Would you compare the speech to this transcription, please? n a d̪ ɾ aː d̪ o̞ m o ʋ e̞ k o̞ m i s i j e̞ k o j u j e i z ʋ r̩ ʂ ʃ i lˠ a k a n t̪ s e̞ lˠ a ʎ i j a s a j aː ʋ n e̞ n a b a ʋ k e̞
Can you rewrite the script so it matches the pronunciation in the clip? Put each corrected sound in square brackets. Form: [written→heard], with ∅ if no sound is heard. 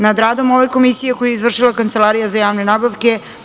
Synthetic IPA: n a d̪ ɾ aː d̪ o̞ m o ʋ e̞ k o̞ m i s i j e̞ k o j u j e i z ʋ r̩ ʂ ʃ i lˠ a k a n t̪ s e̞ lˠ a [ʎ→ɾ] i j a [s→z] a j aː ʋ n e̞ n a b a ʋ k e̞